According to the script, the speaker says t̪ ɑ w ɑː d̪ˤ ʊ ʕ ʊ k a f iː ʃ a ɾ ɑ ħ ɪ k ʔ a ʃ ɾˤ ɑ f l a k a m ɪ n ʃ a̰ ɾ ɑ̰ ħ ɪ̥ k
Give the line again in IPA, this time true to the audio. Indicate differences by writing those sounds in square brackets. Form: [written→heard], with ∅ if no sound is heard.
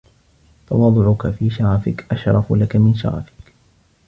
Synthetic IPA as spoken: t̪ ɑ w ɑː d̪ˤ ʊ ʕ ʊ k a f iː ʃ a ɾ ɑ [ħ→f] ɪ k ʔ a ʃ ɾˤ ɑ f l a k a m ɪ n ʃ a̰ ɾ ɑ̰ [ħ→f] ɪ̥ k